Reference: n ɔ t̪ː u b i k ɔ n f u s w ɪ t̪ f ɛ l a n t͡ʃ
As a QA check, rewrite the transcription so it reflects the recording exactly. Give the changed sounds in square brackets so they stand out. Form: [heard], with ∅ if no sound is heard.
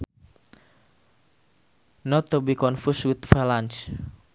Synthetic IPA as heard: n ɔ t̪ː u b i k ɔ n f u s w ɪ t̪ f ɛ l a n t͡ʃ